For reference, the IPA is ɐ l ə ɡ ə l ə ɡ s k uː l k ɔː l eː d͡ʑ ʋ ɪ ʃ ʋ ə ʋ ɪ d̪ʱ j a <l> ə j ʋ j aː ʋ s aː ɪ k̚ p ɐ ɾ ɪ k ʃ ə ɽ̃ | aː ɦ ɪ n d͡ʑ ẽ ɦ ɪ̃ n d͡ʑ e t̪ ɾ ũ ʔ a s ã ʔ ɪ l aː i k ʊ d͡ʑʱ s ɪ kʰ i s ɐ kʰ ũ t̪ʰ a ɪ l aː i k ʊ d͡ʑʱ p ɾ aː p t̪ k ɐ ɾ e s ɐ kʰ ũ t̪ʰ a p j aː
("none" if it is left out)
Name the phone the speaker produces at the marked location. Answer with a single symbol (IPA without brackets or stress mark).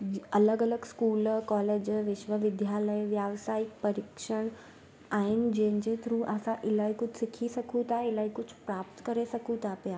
l